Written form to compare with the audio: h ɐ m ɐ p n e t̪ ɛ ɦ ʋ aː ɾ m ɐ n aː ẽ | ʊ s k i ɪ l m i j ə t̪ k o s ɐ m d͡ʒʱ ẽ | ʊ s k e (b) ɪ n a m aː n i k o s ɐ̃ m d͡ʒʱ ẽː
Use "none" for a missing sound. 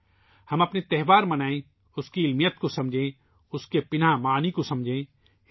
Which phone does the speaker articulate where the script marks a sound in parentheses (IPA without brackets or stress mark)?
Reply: p